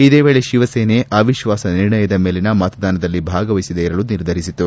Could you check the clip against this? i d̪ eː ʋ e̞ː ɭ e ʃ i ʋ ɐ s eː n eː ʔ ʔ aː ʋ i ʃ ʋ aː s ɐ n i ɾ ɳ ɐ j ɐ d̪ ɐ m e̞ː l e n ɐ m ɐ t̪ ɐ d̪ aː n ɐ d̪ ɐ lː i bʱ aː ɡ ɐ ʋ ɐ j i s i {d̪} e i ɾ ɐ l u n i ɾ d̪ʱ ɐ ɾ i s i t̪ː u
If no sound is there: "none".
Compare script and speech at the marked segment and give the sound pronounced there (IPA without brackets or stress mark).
d̪